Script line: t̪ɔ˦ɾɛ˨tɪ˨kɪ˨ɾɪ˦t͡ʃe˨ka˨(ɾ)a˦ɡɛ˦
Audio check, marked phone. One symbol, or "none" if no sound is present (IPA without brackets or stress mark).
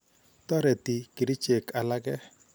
l